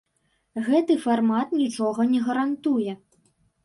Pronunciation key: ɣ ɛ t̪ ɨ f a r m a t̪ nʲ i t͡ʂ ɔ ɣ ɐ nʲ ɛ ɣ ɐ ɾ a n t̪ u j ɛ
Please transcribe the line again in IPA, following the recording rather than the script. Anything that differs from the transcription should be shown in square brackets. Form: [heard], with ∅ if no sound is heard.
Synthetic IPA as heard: ɣ ɛ t̪ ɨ f a r m a t̪ nʲ i t͡ʂ ɔ ɣ ɐ nʲ ɛ ɣ ɐ ɾ a n t̪ u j ɛ

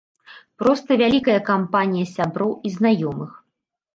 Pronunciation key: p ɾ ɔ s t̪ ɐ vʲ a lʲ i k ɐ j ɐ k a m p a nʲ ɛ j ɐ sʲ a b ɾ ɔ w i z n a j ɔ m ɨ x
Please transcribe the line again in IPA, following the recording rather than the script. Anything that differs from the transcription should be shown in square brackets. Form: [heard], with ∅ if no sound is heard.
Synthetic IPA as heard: p ɾ ɔ s t̪ ɐ vʲ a lʲ i k ɐ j ɐ k a m p a nʲ [i] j ɐ sʲ a b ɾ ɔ w i z n a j ɔ m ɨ x

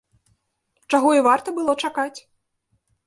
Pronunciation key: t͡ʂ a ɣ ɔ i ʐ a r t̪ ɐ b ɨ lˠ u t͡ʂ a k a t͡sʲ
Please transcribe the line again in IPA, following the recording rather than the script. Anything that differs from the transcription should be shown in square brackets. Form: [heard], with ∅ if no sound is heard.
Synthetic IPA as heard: t͡ʂ a ɣ ɔ i [v] a r t̪ ɐ b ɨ lˠ [ɔ] t͡ʂ a k a t͡sʲ

